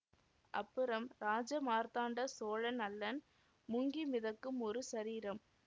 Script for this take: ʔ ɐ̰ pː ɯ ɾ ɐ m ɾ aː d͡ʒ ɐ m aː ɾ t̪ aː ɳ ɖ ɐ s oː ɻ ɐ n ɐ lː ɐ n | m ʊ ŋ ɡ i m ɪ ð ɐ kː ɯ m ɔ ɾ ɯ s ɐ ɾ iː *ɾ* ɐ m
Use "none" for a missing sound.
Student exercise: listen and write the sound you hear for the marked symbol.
ɾ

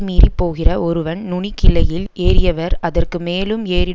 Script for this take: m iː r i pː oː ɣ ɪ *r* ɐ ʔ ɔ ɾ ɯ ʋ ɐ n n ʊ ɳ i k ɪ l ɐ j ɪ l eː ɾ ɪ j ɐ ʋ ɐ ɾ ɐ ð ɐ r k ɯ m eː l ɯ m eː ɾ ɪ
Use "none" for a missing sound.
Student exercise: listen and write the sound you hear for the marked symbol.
r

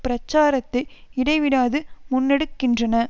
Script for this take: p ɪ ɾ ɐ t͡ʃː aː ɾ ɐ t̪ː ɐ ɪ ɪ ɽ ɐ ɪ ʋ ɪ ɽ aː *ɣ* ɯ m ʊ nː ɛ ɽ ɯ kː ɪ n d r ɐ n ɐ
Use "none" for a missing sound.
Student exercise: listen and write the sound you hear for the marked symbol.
ð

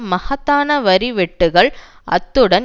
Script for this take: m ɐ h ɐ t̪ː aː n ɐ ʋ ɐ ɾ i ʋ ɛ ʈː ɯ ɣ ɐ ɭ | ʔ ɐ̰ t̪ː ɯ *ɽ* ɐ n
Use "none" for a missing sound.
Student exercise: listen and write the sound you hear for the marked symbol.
ɽ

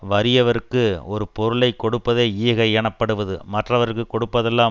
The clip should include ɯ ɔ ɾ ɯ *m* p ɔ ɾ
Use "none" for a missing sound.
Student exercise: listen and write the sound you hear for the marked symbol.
none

